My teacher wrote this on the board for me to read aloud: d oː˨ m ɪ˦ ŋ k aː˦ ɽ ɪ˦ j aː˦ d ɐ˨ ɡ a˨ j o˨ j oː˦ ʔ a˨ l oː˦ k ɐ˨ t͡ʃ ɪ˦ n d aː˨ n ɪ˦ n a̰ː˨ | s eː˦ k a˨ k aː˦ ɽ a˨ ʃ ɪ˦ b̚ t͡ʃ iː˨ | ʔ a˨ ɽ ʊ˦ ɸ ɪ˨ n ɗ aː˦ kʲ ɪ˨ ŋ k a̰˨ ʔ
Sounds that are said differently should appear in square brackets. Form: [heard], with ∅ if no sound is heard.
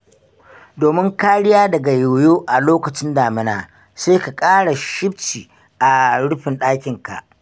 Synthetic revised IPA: d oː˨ m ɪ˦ ŋ k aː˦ ɽ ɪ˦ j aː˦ d ɐ˨ ɡ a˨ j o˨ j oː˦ ʔ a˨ l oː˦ k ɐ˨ t͡ʃ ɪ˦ n d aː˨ [m] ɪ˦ n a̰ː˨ | s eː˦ k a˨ [kʼ] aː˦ ɽ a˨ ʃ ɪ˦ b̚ t͡ʃ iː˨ | ʔ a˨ ɽ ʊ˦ ɸ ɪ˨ n ɗ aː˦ kʲ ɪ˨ ŋ k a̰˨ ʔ

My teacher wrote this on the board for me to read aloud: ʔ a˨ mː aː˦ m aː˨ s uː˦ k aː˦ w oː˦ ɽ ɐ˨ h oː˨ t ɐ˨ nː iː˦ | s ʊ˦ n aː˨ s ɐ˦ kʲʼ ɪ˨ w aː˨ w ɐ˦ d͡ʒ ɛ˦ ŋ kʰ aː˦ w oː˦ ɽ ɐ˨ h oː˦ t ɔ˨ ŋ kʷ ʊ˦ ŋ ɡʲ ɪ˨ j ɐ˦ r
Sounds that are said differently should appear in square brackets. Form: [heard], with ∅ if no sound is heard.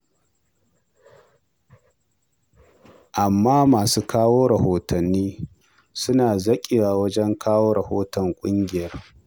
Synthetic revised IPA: ʔ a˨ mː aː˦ m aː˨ s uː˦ k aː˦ w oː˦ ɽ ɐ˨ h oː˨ t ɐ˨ nː iː˦ | s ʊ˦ n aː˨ [z] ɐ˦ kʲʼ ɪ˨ w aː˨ w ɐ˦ d͡ʒ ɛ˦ ŋ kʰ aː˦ w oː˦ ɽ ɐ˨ h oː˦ t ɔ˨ ŋ [kʷʼ] ʊ˦ ŋ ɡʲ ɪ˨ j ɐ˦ r

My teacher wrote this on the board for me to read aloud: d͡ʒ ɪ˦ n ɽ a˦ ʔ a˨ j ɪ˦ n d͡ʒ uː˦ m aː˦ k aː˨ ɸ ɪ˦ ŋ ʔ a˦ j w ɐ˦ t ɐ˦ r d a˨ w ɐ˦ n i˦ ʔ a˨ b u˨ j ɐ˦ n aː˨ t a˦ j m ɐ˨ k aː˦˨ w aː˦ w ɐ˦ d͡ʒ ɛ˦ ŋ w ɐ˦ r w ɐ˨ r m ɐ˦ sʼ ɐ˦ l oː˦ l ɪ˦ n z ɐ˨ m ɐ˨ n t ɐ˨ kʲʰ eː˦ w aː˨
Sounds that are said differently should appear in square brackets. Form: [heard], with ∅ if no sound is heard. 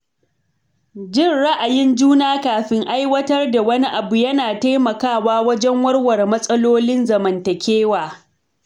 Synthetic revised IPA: d͡ʒ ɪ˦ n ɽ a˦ ʔ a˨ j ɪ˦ n d͡ʒ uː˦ [n] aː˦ k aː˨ ɸ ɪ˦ ŋ ʔ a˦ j w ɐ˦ t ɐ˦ r d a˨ w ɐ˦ n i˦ ʔ a˨ b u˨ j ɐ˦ n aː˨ t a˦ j m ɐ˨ k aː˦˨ w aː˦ w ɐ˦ d͡ʒ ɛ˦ ŋ w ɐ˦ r w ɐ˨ r m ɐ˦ sʼ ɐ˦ l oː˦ l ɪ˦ n z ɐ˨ m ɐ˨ n t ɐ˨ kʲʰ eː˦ w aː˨

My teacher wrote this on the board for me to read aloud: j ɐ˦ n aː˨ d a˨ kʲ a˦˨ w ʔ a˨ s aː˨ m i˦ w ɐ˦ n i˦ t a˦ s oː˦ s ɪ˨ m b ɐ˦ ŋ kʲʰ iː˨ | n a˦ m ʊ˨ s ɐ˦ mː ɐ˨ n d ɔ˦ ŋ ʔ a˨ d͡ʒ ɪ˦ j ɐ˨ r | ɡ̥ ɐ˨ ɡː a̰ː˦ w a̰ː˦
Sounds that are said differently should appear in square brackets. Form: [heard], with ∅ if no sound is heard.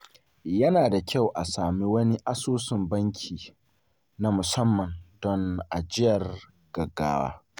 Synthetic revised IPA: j ɐ˦ n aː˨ d a˨ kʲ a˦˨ w ʔ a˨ s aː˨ m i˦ w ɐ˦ n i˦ [ʔ] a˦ s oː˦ s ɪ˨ m b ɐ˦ ŋ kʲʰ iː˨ | n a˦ m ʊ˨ s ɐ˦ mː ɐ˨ n d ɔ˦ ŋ ʔ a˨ d͡ʒ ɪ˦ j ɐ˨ r | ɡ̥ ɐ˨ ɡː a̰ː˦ w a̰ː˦

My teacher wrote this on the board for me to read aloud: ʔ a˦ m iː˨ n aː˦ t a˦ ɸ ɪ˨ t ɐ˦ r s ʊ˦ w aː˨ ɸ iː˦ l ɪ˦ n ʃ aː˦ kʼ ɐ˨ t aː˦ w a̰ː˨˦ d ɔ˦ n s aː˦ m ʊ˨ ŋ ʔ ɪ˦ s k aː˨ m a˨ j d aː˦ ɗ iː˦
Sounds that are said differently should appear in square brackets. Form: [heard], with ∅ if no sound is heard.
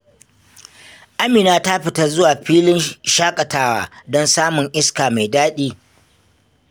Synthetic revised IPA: ʔ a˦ m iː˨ n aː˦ t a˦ ɸ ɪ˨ t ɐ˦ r [z] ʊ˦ w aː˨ ɸ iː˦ l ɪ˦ n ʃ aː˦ kʼ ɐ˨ t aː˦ w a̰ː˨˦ d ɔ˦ n s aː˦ m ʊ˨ ŋ ʔ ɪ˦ s k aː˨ m a˨ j d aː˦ ɗ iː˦

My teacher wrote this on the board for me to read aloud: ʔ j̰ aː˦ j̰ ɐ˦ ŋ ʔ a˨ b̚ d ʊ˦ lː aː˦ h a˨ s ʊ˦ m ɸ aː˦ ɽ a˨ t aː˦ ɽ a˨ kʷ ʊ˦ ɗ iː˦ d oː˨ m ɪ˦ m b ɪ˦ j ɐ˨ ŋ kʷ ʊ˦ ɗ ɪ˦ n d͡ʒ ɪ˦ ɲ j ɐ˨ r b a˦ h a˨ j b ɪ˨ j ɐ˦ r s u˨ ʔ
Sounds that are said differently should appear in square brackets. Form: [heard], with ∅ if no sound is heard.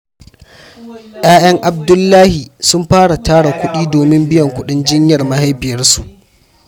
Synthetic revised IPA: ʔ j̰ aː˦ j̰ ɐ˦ ŋ ʔ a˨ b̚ d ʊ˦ lː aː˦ h [i˨] s ʊ˦ m ɸ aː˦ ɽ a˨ t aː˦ ɽ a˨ kʷ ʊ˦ ɗ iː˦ d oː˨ m ɪ˦ m b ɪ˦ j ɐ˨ ŋ kʷ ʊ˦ ɗ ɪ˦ n d͡ʒ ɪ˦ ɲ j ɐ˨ r [m] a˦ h [a˦] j b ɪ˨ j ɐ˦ r s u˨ ʔ

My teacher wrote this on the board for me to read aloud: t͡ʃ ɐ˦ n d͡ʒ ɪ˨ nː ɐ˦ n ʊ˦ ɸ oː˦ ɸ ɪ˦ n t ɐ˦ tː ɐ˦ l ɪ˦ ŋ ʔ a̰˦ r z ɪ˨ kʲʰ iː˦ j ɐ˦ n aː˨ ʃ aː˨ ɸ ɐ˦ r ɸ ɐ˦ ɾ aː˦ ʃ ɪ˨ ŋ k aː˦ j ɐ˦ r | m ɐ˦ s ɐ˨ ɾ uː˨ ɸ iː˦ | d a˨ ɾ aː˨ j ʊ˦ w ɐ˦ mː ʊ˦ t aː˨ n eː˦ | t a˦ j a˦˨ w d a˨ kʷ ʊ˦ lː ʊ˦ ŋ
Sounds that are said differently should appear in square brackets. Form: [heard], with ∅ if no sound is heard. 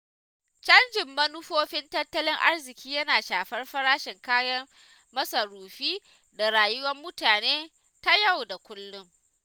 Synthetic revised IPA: t͡ʃ ɐ˦ n d͡ʒ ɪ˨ [mː] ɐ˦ n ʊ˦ ɸ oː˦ ɸ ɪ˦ n t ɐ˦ tː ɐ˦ l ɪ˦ ŋ ʔ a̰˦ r z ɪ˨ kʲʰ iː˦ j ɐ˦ n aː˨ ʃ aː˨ ɸ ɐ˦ r ɸ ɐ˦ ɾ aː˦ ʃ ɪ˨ ŋ k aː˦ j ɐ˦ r | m ɐ˦ s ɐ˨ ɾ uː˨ ɸ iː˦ | d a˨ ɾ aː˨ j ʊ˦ w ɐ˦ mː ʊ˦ t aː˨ n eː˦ | t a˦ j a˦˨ w d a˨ kʷ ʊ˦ lː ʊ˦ ŋ

